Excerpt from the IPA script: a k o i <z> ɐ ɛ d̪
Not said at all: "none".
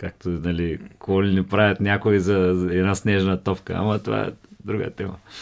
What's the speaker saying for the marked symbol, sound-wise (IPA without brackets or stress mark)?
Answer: z